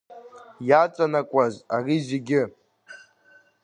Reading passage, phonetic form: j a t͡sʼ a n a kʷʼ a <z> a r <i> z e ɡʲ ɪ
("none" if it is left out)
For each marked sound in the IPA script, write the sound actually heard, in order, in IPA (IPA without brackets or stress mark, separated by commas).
z, i